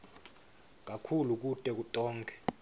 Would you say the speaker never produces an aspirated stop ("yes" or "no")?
no